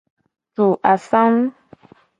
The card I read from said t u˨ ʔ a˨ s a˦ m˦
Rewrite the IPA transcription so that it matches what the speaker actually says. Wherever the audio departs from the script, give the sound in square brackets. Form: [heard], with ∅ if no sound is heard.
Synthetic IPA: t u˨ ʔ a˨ s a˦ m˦